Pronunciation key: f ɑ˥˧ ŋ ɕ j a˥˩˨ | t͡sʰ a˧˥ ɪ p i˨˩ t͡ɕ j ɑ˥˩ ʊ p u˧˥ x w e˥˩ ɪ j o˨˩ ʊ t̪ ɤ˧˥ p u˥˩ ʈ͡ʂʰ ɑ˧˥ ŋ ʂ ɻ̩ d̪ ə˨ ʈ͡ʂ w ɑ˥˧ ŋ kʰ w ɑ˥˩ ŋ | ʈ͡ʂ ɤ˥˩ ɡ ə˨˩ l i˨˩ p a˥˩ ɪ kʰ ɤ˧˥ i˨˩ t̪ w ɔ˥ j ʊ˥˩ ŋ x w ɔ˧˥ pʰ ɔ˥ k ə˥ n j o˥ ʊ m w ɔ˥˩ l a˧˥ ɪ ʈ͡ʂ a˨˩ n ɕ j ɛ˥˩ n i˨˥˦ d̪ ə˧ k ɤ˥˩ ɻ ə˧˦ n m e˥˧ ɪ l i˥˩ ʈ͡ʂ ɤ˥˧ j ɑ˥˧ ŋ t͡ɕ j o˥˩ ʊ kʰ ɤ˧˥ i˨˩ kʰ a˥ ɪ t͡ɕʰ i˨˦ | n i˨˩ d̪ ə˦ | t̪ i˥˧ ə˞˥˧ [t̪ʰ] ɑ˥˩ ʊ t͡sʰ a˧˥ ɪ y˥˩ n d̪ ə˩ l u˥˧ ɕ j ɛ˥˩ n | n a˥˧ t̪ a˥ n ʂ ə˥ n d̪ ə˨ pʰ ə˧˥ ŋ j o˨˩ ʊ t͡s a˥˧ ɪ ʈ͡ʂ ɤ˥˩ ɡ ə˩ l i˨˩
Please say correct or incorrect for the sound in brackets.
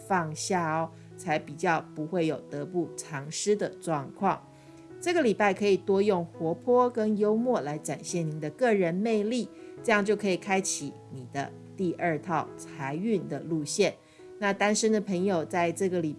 correct